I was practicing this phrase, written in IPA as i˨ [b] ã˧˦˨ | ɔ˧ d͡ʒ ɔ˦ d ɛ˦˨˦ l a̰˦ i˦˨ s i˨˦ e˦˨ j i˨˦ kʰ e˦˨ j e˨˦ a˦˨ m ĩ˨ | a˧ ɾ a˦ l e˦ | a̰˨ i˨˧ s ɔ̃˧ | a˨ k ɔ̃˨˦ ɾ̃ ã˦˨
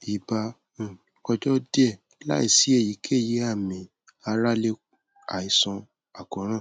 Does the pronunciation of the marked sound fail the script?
no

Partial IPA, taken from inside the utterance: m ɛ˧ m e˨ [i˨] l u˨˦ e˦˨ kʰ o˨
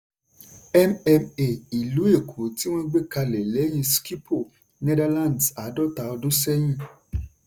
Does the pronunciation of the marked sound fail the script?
no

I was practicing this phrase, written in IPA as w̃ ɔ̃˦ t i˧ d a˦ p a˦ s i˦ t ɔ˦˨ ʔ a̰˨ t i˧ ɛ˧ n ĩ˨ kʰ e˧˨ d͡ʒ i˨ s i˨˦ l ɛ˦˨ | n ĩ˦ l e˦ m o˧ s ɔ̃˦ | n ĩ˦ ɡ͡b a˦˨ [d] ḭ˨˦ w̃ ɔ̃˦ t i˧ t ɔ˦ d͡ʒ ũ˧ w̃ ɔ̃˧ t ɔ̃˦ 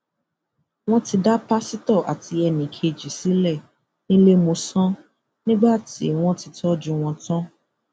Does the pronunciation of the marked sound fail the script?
yes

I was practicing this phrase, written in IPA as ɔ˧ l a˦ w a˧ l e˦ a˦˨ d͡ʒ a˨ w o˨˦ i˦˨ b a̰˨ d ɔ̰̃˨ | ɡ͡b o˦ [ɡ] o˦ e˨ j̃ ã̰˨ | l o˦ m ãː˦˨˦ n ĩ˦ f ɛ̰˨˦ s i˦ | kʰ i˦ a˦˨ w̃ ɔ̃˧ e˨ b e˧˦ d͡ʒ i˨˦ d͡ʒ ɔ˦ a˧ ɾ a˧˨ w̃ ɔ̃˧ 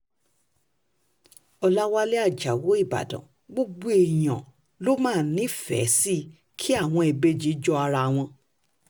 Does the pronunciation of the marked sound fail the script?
yes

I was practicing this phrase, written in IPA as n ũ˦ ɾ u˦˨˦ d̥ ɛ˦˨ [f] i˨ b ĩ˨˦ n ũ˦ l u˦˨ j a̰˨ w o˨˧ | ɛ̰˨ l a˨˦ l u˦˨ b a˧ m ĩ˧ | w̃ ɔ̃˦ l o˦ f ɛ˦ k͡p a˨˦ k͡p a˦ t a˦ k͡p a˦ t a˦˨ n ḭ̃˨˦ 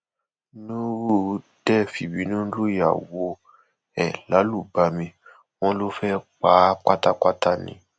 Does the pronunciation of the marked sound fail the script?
no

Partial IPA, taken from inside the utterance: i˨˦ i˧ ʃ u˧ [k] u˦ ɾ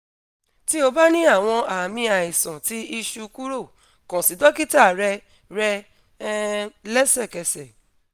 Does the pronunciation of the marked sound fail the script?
no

